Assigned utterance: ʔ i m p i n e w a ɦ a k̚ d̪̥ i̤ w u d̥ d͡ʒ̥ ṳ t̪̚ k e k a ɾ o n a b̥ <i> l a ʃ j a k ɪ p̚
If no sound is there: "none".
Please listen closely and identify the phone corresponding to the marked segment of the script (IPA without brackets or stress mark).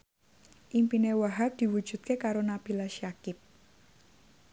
i